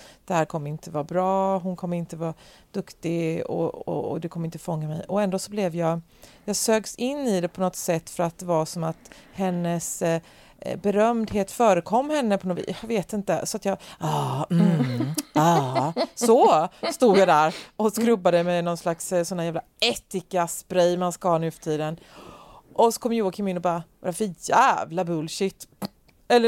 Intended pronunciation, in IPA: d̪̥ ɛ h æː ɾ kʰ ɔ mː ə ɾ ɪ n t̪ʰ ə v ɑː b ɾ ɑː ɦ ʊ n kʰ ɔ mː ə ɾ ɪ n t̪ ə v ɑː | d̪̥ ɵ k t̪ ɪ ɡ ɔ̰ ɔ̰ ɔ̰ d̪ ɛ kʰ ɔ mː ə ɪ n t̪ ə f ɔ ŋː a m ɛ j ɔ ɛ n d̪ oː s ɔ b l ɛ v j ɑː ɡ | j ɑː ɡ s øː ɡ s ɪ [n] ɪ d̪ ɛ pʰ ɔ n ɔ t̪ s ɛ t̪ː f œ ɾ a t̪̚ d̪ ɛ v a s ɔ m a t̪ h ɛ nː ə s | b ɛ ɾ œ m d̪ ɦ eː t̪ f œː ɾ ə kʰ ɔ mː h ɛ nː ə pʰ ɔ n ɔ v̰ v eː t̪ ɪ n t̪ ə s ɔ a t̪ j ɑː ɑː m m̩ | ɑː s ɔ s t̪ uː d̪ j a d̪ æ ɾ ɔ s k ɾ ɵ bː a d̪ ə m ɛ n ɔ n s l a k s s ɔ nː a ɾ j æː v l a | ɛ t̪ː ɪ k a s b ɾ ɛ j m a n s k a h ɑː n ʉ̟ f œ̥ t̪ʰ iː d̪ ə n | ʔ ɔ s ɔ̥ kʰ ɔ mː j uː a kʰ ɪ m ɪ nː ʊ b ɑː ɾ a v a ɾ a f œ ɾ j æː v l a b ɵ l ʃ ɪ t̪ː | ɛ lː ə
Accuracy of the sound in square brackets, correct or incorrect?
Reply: incorrect